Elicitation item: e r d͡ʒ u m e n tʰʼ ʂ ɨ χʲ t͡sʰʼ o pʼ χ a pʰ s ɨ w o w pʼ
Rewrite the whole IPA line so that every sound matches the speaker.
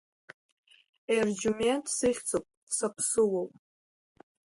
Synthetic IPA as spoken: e r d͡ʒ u m e n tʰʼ s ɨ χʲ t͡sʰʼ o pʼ s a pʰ s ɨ w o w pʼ

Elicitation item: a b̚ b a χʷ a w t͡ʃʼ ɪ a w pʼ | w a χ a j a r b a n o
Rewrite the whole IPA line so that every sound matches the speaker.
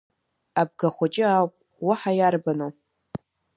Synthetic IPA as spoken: a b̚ ɡ a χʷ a t͡ʃʼ ɪ a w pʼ | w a ħ a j a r b a n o

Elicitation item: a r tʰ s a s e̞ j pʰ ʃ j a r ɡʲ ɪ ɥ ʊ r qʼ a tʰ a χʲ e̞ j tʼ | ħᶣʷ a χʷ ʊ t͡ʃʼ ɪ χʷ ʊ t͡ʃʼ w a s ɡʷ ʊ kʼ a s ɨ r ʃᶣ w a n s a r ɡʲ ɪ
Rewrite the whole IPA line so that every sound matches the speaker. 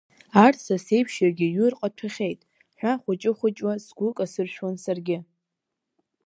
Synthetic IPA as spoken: a r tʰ s a s e̞ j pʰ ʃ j a r ɡʲ ɪ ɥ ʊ r qʼ a tʰ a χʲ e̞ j tʼ | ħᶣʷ a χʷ ʊ t͡ʃʼ ɪ χʷ ʊ t͡ʃʼ w a s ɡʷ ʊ kʼ a s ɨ r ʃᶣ w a n s a r ɡʲ ɪ

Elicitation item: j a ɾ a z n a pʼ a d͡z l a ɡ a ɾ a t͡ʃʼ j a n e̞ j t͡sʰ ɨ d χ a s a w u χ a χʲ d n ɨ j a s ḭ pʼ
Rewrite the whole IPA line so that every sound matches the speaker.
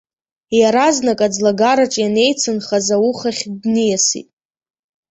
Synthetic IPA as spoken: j a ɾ a z n a kʼ a d͡z l a ɡ a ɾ a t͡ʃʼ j a n e̞ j t͡sʰ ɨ n χ a z a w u χ a χʲ d n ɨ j a s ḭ tʼ

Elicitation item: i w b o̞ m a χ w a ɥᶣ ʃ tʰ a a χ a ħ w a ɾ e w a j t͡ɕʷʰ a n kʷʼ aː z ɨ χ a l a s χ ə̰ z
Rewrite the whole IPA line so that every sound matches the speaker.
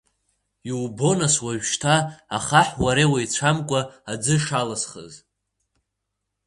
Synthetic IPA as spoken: i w b o̞ n a s w a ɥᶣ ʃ tʰ a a χ a ħ w a ɾ e w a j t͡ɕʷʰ a m kʷʼ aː d͡z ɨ ʂ a l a s χ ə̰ z

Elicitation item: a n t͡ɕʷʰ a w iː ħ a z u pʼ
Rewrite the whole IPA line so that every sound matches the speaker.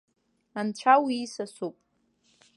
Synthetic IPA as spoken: a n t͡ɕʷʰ a w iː s a s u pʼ

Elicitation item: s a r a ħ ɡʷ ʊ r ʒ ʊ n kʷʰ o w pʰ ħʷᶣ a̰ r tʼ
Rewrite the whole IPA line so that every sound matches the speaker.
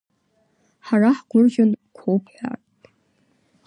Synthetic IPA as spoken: ħ a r a ħ ɡʷ ʊ r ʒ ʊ n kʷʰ o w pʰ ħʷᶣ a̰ r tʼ

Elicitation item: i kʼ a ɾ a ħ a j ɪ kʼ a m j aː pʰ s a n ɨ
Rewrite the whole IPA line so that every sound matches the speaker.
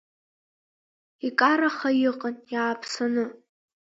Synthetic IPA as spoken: i kʼ a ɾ a χ a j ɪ qʼ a n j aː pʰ s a n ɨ

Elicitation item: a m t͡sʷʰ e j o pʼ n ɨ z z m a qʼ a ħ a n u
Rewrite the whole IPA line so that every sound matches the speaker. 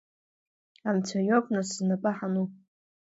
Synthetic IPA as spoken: a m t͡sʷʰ a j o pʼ n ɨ s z n a pʼ a ħ a n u

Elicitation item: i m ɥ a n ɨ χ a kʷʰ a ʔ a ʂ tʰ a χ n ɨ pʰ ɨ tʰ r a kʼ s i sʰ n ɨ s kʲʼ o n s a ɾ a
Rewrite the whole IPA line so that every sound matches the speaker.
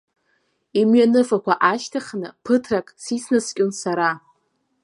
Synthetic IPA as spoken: i m ɥ a n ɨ f a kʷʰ a ʔ a ʃ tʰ a χ n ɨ pʰ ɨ tʰ r a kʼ s i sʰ n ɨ s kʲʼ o n s a ɾ a

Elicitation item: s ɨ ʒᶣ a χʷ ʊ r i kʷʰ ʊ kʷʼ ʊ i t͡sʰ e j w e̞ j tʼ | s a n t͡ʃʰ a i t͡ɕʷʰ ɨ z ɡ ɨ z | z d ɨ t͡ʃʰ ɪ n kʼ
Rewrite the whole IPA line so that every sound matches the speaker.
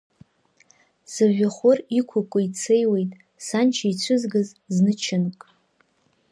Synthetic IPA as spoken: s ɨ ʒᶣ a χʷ ʊ r i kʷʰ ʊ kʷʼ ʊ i t͡sʰ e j w e̞ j tʼ | s a n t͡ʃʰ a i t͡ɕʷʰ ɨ z ɡ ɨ z | z n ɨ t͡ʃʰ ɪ n kʼ

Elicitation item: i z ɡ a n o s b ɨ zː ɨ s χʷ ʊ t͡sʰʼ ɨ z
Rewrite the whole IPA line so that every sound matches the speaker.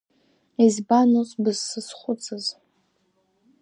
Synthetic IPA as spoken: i z b a n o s b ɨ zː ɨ s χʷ ʊ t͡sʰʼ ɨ z

